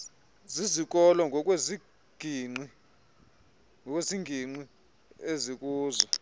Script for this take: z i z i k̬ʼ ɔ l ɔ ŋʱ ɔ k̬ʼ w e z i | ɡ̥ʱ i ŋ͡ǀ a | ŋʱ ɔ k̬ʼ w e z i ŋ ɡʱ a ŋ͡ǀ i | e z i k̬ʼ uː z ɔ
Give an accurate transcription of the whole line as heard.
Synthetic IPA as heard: z i z i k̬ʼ ɔ l ɔ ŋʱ ɔ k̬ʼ w e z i | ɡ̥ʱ i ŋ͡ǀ i | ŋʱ ɔ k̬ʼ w e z i ŋ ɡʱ i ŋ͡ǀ i | e z i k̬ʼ uː z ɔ